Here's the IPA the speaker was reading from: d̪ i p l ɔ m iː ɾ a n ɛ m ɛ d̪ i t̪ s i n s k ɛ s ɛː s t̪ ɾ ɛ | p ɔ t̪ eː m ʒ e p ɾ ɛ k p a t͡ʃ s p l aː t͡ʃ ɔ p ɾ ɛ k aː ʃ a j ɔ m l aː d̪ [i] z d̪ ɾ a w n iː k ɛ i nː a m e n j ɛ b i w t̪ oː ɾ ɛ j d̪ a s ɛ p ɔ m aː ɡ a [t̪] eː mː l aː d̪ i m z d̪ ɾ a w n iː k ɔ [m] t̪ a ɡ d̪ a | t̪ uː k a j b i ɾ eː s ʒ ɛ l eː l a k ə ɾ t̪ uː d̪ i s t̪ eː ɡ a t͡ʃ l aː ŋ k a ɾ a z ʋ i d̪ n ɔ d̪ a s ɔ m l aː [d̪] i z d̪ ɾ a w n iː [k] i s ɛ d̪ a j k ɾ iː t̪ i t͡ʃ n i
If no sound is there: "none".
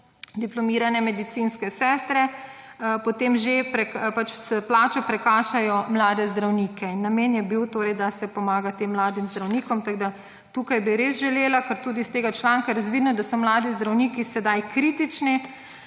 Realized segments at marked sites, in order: ɛ, t̪, m, d̪, k

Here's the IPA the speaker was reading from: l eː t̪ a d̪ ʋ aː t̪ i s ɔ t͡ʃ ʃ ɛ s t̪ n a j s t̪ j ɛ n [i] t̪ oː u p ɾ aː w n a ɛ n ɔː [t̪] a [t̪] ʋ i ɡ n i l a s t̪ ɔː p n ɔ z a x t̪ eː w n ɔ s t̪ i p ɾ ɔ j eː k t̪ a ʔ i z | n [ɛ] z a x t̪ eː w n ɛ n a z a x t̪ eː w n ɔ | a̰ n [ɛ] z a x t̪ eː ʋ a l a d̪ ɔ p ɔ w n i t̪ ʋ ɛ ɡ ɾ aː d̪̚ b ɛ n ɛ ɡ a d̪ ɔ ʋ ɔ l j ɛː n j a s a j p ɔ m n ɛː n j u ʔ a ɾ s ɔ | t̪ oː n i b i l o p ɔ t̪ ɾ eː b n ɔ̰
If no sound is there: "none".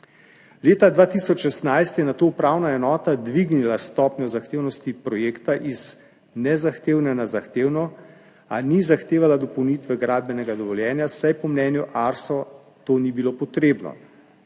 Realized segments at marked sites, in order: a, t̪, d̪, ɛ, i

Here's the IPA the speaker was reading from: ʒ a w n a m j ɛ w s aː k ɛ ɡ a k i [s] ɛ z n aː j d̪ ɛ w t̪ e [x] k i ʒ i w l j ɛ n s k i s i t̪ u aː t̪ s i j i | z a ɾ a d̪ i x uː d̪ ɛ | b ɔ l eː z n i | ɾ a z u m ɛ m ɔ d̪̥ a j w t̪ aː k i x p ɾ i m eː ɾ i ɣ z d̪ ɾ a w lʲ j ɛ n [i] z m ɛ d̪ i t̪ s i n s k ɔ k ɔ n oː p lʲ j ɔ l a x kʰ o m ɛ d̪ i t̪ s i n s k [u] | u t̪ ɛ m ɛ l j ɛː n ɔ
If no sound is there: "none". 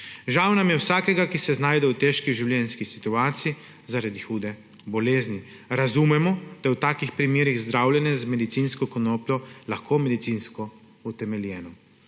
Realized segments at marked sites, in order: s, ʃ, ɛ, ɔ

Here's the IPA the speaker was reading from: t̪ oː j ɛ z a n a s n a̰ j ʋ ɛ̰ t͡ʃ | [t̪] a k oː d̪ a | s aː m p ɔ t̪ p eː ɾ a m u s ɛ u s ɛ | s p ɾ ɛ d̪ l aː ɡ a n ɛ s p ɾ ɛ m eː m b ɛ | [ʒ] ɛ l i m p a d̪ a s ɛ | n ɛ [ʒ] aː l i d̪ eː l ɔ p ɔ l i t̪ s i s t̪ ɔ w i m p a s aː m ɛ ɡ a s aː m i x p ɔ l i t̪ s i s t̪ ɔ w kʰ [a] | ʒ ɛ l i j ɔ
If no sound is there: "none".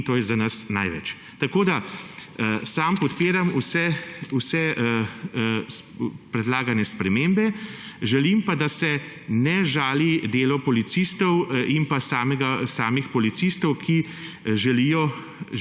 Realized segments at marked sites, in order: t̪, ʒ, ʒ, i

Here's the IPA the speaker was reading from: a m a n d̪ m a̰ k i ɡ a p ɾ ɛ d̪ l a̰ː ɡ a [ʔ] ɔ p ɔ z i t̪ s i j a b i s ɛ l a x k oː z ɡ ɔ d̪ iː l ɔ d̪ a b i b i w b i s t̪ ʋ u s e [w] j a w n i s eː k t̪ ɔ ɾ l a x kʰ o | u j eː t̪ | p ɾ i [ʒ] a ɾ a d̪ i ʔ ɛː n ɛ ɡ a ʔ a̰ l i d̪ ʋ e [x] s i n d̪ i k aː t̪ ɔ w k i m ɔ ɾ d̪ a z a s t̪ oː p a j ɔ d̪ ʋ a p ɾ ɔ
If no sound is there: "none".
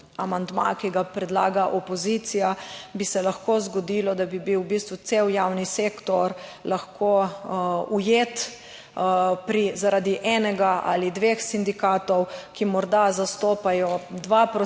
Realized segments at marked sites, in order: ʔ, w, z, x

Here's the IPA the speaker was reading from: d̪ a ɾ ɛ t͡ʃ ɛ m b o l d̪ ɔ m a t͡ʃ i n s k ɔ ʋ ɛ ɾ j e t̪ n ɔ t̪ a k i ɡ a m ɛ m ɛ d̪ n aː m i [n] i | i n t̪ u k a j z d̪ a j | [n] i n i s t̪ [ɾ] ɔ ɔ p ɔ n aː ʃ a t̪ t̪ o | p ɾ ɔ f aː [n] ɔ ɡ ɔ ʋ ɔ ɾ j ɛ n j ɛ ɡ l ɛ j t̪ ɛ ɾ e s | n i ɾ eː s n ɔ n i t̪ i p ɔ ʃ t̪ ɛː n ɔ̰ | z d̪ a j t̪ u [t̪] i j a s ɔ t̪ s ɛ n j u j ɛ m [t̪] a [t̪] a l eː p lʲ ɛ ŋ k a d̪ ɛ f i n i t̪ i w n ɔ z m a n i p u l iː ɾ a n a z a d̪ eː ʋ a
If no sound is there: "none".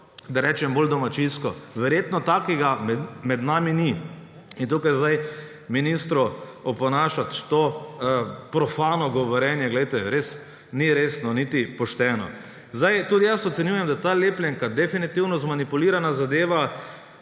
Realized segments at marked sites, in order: n, m, ɾ, n, d̪, d̪, t̪

